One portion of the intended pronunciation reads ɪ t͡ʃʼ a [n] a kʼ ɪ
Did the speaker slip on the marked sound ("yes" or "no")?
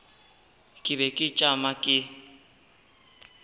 yes